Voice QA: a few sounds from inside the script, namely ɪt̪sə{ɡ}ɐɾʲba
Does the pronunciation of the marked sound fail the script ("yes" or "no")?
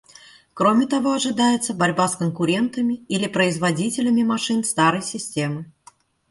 yes